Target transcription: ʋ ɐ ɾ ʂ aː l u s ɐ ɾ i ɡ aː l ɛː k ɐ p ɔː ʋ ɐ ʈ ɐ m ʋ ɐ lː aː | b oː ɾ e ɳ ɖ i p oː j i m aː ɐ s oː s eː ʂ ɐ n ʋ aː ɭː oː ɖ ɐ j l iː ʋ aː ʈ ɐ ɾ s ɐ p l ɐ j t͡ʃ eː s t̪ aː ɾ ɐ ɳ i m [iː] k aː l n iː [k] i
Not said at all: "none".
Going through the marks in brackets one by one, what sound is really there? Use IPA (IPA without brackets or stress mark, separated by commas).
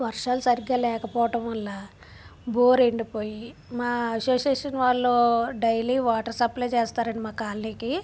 aː, k